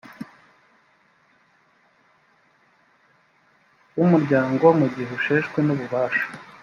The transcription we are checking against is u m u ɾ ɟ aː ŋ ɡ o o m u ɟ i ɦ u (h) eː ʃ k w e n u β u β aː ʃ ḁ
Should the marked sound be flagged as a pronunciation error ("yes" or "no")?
yes